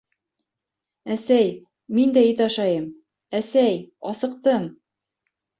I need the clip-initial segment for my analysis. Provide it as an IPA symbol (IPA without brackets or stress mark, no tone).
æ